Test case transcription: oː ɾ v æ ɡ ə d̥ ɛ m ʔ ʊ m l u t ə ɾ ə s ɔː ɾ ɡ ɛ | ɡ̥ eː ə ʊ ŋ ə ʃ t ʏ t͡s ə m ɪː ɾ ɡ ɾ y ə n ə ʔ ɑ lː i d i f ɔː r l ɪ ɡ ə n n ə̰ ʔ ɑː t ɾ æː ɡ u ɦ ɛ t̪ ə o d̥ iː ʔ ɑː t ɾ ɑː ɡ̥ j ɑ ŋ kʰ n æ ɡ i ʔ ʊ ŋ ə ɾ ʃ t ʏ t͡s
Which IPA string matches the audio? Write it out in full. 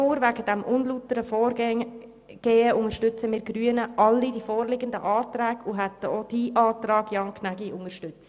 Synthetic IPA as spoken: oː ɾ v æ ɡ ə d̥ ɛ m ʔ ʊ n l u t ə ɾ ə f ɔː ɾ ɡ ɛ | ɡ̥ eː ə ʊ ŋ ə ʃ t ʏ t͡s ə m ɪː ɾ ɡ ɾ y ə n ə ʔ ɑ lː i d i f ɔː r l ɪ ɡ ə n d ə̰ ʔ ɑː t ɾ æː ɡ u ɦ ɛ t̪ ə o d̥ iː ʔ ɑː t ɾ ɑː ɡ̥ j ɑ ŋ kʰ n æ ɡ i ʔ ʊ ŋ ə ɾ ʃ t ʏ t͡s